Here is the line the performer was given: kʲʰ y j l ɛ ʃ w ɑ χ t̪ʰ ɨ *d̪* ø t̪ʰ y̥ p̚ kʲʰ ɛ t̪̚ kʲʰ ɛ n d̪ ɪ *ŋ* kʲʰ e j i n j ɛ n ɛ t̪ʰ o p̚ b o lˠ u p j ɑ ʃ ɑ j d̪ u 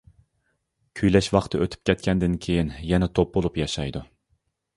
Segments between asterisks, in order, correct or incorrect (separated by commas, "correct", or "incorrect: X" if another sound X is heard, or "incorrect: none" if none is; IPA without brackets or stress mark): incorrect: none, incorrect: n